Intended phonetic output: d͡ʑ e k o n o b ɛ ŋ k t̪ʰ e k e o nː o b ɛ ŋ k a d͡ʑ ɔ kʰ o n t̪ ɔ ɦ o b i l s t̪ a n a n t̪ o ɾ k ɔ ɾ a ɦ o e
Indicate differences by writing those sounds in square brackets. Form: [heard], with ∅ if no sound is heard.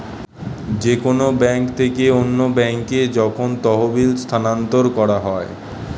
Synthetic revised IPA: d͡ʑ e k o n o b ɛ ŋ k t̪ʰ e k e o nː o b ɛ ŋ k [e] d͡ʑ ɔ kʰ o n t̪ ɔ ɦ o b i l s [t̪ʰ] a n a n t̪ o ɾ k ɔ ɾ a ɦ [ɔ] e

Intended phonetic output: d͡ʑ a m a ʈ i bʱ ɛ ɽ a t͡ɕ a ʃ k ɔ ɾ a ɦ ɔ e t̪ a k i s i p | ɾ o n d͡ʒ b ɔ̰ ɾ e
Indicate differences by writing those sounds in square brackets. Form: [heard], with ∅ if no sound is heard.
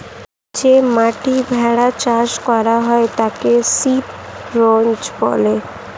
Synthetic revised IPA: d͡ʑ [e] m a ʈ i bʱ ɛ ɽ a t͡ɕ a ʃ k ɔ ɾ a ɦ ɔ e t̪ a k [e] s i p | ɾ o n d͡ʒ b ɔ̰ [l] e

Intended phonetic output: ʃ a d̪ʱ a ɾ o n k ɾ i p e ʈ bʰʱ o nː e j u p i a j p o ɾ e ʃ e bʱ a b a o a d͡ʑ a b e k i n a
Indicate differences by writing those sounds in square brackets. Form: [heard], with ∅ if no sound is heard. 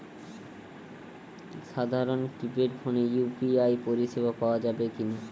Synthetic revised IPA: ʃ a d̪ʱ a ɾ o n k ɾ i p e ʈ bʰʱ o [n] e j u p i a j p o ɾ [i] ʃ e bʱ a [p] a o a d͡ʑ a b e k i n a

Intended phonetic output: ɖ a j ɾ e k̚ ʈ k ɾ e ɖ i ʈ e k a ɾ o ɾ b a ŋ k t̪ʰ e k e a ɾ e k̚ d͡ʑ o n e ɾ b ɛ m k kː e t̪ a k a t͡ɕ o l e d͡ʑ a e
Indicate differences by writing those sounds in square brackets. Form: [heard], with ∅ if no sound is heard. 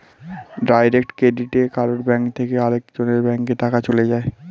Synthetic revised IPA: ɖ a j ɾ e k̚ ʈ k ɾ e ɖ i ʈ e k a ɾ o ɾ b [ɛ] ŋ k t̪ʰ e k e a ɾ e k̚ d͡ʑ o n e ɾ b ɛ [ŋ] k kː e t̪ a k a t͡ɕ o l e d͡ʑ a e

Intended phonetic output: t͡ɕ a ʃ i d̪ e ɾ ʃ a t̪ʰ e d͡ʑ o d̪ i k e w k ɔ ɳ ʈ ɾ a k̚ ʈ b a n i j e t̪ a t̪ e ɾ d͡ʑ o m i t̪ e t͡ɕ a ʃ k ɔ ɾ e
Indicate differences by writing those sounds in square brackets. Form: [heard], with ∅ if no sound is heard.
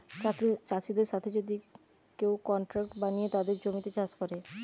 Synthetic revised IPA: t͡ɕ a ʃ i d̪ e ɾ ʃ a t̪ʰ e d͡ʑ o d̪ i k e w k ɔ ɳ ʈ ɾ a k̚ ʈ b a n i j e t̪ a [d̪] e ɾ d͡ʑ o m i t̪ e t͡ɕ a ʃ k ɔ ɾ e

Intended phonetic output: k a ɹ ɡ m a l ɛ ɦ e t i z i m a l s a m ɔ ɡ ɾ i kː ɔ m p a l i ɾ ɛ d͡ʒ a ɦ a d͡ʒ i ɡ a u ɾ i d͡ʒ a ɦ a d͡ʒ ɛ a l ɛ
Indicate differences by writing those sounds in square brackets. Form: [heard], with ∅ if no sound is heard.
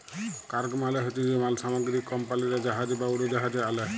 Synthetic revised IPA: k a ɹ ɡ m a l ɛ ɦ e t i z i m a l s a m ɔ ɡ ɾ i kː ɔ m p a l i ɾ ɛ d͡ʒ a ɦ a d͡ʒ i [b] a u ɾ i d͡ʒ a ɦ a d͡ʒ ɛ a l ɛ

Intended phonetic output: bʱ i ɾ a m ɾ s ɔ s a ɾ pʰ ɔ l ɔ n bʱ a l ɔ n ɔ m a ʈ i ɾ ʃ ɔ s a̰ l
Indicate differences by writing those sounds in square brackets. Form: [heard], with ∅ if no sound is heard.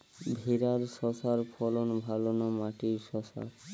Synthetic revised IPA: bʱ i ɾ a [∅] ɾ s ɔ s a ɾ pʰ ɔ l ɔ n bʱ a l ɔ n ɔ m a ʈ i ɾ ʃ ɔ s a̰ [ɾ]

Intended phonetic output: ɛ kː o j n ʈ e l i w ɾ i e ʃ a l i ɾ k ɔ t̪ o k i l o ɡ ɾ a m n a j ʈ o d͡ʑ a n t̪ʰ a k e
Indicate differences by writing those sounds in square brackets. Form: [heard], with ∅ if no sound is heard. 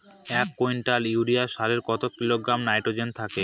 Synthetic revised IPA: ɛ kː o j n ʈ [a] l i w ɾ i [a] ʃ a l [e] ɾ k ɔ t̪ o k i l o ɡ ɾ a m n a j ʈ o d͡ʑ [e] n t̪ʰ a k e

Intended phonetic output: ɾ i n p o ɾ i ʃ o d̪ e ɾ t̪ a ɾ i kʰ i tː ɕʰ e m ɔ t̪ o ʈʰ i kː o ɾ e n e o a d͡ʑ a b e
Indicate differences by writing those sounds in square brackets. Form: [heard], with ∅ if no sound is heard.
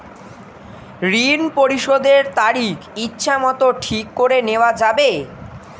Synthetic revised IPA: ɾ i n p o ɾ i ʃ o d̪ e ɾ t̪ a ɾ i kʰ i tː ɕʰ [a] m ɔ t̪ o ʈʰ i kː o ɾ e n e o a d͡ʑ a b e

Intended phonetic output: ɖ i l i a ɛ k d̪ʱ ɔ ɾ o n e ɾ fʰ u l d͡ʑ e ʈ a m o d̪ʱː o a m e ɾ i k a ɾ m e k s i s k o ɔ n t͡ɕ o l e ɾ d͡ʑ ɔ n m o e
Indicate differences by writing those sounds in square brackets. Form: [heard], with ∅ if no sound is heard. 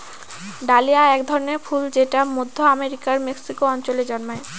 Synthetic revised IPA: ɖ [a] l i a ɛ k d̪ʱ ɔ ɾ o n e ɾ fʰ u l d͡ʑ e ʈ a m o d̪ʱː o a m e ɾ i k a ɾ m e k s i [∅] k o ɔ n t͡ɕ o l e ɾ d͡ʑ ɔ n m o e

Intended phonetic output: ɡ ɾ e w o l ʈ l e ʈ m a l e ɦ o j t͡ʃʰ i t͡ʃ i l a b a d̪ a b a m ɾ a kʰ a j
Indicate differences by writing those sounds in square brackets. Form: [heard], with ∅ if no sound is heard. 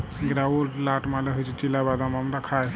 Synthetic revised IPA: ɡ ɾ [a] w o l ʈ l [a] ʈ m a l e ɦ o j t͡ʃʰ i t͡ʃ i l a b a d̪ a [m] a m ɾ a kʰ a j

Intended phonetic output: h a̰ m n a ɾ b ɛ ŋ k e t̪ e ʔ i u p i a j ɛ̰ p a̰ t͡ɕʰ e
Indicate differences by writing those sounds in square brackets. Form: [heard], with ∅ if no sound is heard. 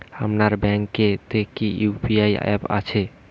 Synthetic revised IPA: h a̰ m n a ɾ b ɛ ŋ k e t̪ e [k] i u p i a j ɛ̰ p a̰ t͡ɕʰ e

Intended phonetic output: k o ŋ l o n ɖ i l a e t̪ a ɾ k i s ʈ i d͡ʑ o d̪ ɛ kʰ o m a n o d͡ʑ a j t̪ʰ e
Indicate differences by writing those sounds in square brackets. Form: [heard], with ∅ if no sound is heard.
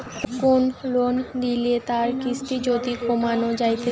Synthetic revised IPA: k o [n] l o n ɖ i l [i] e t̪ a ɾ k i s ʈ i d͡ʑ o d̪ [i] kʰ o m a n o d͡ʑ a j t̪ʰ e

